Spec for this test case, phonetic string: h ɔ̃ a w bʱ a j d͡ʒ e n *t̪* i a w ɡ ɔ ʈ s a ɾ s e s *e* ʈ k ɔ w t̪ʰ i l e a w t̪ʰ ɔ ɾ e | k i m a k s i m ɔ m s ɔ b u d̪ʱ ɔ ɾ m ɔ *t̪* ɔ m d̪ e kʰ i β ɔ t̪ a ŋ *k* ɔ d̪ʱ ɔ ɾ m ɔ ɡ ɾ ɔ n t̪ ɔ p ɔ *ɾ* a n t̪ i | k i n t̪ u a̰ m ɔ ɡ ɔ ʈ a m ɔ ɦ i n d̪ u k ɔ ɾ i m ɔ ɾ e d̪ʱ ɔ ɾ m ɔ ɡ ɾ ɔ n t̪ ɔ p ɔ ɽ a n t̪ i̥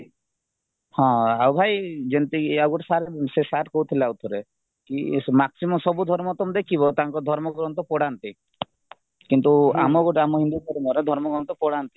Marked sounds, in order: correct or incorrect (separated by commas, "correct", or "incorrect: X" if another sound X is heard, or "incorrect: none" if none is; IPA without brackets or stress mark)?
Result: correct, incorrect: a, correct, correct, incorrect: ɽ